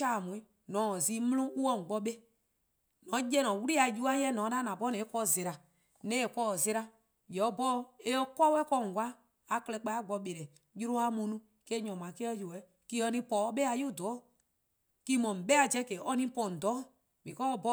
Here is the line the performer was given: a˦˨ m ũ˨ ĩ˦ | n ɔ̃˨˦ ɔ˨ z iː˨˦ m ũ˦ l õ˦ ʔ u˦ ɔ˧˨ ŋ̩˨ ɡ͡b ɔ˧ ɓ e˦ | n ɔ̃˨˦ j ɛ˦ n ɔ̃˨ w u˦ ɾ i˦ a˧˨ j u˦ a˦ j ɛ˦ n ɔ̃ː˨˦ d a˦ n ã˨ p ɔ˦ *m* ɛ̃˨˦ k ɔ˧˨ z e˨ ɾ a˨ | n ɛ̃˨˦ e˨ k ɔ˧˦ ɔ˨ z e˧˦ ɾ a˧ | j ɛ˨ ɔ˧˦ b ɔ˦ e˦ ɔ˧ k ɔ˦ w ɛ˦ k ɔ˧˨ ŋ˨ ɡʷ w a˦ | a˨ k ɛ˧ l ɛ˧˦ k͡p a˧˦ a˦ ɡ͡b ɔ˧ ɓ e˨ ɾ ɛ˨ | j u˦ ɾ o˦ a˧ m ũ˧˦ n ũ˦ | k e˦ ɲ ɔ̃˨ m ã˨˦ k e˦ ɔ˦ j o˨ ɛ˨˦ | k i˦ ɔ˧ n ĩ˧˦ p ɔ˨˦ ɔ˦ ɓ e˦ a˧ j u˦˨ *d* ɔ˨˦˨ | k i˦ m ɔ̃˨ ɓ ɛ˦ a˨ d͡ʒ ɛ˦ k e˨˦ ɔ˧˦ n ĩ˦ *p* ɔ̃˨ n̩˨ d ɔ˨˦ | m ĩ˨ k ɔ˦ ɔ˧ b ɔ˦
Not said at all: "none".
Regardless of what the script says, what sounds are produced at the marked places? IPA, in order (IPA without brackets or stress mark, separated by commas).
n, d, p